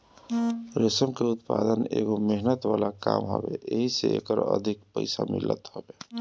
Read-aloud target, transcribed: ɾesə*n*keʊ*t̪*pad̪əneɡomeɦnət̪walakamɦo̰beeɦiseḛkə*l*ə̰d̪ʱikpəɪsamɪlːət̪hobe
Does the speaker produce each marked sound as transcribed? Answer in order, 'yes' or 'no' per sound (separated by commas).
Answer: no, yes, no